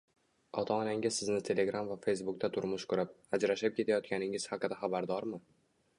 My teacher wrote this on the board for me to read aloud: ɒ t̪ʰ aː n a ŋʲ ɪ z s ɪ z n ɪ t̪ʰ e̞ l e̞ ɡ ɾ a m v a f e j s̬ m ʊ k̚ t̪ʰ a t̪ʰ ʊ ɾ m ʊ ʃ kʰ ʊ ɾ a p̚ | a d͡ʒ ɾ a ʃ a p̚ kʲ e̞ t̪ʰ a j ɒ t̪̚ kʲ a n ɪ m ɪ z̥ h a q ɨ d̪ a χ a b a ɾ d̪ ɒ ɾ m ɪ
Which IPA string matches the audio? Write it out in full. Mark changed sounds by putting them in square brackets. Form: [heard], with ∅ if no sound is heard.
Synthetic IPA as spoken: ɒ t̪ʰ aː n a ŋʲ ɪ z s ɪ z n ɪ t̪ʰ e̞ l e̞ ɡ ɾ a m v a f e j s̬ [b] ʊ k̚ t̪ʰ a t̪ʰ ʊ ɾ m ʊ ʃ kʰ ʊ ɾ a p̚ | a d͡ʒ ɾ a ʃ a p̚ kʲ e̞ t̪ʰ a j ɒ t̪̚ kʲ a n ɪ [ŋ] ɪ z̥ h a q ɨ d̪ a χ a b a ɾ d̪ ɒ ɾ m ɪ